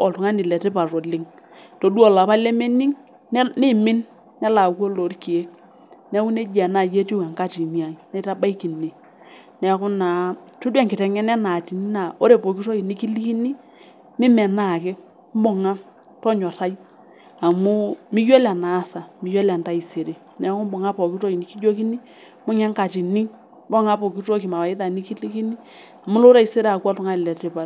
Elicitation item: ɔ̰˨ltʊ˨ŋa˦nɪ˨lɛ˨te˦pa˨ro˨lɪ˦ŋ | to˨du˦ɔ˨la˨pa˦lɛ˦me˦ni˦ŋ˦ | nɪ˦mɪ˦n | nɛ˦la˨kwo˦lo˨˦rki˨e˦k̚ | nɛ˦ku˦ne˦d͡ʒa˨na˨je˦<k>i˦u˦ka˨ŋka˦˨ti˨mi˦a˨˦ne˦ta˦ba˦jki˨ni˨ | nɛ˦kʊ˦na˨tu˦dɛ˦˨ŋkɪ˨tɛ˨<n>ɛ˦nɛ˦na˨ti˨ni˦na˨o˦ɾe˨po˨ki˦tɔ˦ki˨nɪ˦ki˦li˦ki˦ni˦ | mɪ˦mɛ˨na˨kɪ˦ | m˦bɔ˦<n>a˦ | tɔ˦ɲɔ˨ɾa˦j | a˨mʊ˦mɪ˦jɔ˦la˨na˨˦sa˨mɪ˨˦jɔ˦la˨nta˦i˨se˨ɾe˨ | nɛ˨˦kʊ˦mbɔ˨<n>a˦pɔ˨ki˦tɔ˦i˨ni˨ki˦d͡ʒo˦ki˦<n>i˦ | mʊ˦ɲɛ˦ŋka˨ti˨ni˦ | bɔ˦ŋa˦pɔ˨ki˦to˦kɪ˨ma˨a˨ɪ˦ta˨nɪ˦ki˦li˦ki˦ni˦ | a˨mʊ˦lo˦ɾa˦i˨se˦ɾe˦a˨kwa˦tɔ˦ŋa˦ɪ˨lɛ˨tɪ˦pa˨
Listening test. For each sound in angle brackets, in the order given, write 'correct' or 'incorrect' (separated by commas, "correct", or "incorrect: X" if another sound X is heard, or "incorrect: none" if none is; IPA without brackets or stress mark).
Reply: incorrect: t, incorrect: ŋ, incorrect: ŋ, incorrect: ŋ, correct